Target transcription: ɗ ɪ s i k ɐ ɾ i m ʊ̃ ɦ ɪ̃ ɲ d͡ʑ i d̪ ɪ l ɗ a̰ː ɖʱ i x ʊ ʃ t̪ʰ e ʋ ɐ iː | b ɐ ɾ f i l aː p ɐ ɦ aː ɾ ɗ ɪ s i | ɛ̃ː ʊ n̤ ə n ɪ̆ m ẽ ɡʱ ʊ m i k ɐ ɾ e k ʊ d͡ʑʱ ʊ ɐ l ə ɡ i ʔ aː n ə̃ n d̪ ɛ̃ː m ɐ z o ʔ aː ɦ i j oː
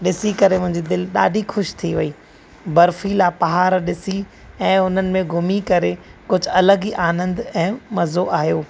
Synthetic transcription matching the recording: ɗ ɪ s i k ɐ ɾ e m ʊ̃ ɦ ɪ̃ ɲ d͡ʑ i d̪ ɪ l ɗ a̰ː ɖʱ i x ʊ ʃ t̪ʰ i ʋ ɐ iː | b ɐ ɾ f i l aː p ɐ ɦ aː ɾ ɗ ɪ s i | ɛ̃ː ʊ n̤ ə n ɪ̆ m ẽ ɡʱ ʊ m i k ɐ ɾ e k ʊ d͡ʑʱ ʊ ɐ l ə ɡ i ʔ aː n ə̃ n d̪ ɛ̃ː m ɐ z o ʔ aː ɦ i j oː